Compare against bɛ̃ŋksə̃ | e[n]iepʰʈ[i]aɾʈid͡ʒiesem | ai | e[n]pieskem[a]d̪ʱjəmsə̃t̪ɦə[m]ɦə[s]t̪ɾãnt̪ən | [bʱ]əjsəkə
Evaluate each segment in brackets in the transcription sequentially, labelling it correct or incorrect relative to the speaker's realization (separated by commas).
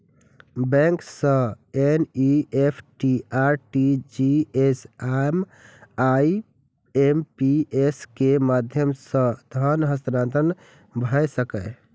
correct, correct, incorrect, correct, incorrect, correct, correct